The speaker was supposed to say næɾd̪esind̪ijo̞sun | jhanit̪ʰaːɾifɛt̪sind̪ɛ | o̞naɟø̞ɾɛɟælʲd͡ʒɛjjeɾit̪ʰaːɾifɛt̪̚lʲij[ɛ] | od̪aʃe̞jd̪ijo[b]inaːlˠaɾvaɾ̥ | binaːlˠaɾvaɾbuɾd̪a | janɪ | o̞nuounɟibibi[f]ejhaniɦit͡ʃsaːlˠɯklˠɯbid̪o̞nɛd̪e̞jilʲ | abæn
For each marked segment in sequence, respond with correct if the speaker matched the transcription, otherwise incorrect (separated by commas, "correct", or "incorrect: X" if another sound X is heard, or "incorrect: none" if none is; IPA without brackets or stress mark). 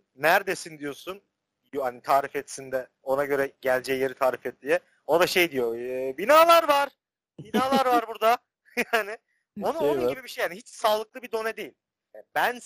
correct, correct, incorrect: ʃ